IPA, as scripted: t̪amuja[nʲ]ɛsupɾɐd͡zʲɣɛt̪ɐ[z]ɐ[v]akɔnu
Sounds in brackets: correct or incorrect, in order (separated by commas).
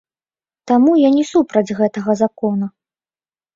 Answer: correct, incorrect, incorrect